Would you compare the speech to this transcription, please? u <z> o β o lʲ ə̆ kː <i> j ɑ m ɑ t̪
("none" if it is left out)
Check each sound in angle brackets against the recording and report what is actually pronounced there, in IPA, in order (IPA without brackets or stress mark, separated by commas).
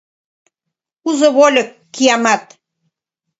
z, i